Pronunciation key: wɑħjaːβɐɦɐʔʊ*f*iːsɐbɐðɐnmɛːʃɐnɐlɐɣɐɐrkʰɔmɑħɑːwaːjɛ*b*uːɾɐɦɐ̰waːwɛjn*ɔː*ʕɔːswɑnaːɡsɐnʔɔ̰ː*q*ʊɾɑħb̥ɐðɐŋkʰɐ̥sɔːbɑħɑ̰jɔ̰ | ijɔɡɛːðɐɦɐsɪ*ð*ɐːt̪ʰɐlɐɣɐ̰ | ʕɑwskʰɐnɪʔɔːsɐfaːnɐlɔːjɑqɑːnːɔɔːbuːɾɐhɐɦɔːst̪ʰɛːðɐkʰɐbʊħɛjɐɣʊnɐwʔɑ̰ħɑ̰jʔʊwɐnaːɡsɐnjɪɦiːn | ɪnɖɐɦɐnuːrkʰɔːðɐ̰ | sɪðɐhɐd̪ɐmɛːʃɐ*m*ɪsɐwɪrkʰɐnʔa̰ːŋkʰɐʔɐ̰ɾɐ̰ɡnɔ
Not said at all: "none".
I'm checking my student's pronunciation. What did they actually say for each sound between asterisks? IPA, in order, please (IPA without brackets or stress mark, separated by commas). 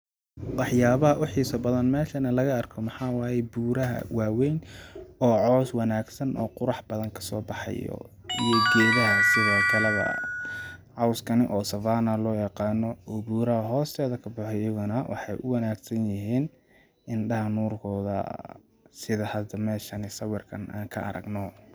ħ, b, ɔː, q, ð, n